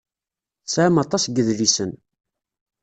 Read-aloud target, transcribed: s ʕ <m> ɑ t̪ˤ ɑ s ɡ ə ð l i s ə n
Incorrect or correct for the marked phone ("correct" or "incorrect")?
correct